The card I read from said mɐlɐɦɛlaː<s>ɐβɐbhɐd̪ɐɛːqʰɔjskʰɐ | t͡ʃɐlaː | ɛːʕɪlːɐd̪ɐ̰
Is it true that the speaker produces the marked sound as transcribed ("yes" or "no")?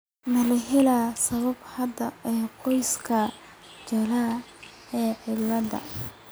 yes